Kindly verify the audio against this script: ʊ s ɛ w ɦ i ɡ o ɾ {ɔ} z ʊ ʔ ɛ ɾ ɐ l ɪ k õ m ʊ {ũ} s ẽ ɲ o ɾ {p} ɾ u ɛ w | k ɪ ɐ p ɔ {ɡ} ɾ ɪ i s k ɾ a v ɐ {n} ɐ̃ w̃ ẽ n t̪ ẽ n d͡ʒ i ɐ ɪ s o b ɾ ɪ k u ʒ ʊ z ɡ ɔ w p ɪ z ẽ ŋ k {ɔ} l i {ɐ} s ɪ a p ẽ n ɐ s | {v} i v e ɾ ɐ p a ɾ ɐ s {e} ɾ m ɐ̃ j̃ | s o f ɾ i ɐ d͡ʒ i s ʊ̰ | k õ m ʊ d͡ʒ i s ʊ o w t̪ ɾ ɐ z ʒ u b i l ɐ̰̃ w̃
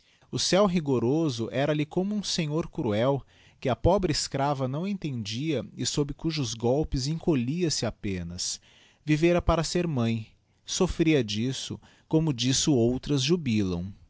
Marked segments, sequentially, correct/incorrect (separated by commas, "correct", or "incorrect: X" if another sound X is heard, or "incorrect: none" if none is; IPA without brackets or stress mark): incorrect: o, correct, incorrect: k, incorrect: b, correct, incorrect: o, correct, correct, correct